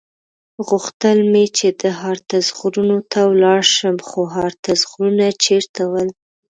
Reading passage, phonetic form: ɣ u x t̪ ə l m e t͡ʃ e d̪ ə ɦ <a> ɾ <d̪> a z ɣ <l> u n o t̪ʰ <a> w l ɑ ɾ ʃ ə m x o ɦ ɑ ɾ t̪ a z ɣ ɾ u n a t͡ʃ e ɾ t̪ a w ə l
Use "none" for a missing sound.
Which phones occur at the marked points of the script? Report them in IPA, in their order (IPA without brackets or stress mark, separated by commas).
ɑ, t̪, ɾ, a